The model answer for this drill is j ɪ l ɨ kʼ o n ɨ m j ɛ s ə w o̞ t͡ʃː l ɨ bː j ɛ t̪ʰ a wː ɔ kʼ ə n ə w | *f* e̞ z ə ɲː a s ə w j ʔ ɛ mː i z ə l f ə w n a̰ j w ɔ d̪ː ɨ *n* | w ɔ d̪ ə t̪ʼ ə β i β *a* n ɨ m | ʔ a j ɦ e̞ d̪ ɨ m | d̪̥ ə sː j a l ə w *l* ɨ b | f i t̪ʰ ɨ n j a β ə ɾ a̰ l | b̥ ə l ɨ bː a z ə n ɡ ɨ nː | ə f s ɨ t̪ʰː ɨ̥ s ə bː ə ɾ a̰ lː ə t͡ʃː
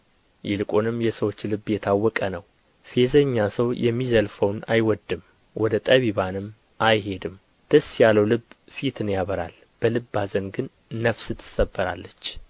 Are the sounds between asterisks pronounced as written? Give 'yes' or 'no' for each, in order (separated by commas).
yes, no, yes, yes